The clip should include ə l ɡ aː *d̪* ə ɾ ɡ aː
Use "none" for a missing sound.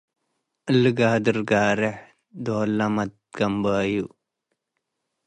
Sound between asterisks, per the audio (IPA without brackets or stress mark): d̪